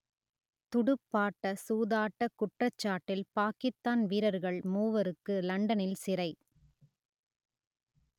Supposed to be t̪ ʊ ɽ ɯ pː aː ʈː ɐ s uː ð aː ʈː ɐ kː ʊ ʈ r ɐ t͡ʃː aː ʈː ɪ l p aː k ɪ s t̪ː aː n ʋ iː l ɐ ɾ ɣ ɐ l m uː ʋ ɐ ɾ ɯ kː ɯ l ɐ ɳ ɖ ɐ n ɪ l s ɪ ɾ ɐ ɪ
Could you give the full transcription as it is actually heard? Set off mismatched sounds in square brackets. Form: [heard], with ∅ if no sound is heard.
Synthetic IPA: t̪ ʊ ɽ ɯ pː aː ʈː ɐ s uː ð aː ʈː ɐ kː ʊ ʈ r ɐ t͡ʃː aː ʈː ɪ l p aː k ɪ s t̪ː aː n ʋ iː [ɾ] ɐ ɾ ɣ ɐ [ɭ] m uː ʋ ɐ ɾ ɯ kː ɯ l ɐ ɳ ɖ ɐ n ɪ l s ɪ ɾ ɐ ɪ

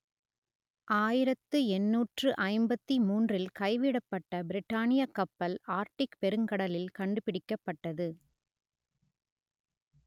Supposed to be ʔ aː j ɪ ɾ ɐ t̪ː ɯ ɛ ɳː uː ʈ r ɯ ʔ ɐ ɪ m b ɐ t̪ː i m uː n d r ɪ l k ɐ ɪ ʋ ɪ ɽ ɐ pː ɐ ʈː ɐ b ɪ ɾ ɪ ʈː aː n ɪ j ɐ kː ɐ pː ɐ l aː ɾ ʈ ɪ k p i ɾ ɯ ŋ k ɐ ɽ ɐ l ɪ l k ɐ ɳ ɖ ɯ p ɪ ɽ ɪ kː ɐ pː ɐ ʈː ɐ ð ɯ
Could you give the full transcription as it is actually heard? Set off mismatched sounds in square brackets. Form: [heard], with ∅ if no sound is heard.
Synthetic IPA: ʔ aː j ɪ ɾ ɐ t̪ː ɯ ɛ [nː] uː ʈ r ɯ ʔ ɐ ɪ m b ɐ t̪ː i m uː n d r ɪ l k ɐ ɪ ʋ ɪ ɽ ɐ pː ɐ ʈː ɐ b ɪ ɾ ɪ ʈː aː n ɪ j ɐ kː ɐ pː ɐ l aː ɾ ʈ ɪ k p [ɛ] ɾ ɯ ŋ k ɐ ɽ ɐ l ɪ l k ɐ ɳ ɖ ɯ p ɪ ɽ ɪ kː ɐ pː ɐ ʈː ɐ ð ɯ

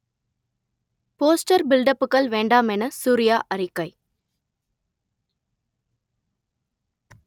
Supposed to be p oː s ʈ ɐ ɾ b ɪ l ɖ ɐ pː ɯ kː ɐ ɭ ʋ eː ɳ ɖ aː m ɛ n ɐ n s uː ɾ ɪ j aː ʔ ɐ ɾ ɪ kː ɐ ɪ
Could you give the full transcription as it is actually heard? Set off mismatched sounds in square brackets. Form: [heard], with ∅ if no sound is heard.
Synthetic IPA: p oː s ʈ ɐ ɾ b ɪ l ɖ ɐ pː ɯ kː ɐ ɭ ʋ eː ɳ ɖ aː m ɛ n ɐ [∅] s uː ɾ ɪ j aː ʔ ɐ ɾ ɪ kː ɐ ɪ

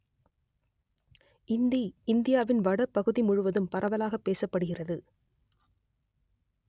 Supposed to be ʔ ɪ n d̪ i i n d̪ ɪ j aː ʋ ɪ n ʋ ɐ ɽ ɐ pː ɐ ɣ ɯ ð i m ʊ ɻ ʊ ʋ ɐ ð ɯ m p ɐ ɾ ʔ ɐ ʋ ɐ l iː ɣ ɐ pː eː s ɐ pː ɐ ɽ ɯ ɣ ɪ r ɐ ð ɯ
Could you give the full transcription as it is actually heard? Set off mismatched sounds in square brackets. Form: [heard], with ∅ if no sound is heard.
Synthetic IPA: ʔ ɪ n d̪ i [ɪ] n d̪ ɪ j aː ʋ ɪ n ʋ ɐ ɽ ɐ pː ɐ ɣ ɯ ð i m ʊ ɻ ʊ ʋ ɐ ð ɯ m p ɐ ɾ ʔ ɐ ʋ ɐ l [aː] ɣ ɐ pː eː s ɐ pː ɐ ɽ ɯ ɣ ɪ r ɐ ð ɯ

